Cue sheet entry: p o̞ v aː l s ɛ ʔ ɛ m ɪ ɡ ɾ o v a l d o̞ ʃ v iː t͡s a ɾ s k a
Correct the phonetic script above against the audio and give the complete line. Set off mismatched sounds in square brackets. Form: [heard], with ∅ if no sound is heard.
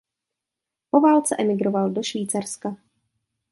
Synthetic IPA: p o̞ v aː l [t͡s] ɛ ʔ ɛ m ɪ ɡ ɾ o v a l d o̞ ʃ v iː t͡s a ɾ s k a